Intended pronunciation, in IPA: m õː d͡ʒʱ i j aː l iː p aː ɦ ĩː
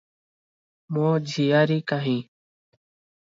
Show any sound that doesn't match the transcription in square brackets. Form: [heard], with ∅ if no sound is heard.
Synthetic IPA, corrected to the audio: m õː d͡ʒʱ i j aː [ɾ] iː [k] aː ɦ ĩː